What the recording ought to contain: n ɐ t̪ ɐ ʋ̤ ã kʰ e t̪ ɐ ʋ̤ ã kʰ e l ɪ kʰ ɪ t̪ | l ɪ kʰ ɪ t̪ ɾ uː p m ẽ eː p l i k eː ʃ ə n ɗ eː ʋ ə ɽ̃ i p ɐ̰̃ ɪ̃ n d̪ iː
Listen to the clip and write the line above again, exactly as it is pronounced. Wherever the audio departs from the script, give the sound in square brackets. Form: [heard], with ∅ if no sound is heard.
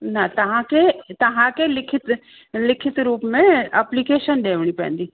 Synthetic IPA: n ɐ t̪ ɐ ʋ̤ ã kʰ e t̪ ɐ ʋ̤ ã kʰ e l ɪ kʰ ɪ t̪ | l ɪ kʰ ɪ t̪ ɾ uː p m ẽ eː p l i k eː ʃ ə n ɗ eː ʋ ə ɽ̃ i p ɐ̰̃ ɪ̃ n d̪ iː